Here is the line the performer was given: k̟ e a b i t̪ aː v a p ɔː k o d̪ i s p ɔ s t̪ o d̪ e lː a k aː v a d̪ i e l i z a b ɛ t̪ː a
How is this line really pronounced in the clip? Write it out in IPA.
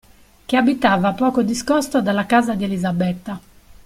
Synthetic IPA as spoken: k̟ e a b i t̪ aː v a p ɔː k o d̪ i s k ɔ s t̪ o d̪ a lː a k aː z a d̪ i e l i z a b ɛ t̪ː a